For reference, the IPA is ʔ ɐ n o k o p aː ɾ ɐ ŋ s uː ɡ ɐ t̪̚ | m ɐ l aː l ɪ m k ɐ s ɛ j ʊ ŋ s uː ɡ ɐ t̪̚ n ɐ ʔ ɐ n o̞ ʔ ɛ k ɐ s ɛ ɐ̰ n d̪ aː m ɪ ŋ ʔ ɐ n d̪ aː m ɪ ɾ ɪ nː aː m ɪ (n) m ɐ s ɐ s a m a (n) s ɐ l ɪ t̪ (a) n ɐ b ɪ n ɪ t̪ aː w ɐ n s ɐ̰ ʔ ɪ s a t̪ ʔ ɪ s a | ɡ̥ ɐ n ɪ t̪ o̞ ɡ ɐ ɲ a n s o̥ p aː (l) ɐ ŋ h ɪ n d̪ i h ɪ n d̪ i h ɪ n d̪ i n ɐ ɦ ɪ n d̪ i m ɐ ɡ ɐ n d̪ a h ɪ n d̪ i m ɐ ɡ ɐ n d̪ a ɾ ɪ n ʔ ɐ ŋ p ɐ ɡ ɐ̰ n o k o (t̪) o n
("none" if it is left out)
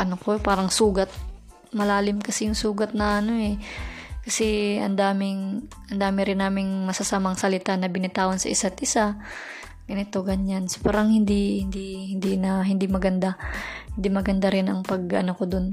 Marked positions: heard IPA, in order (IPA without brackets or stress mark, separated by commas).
ŋ, ŋ, a, ɾ, d̪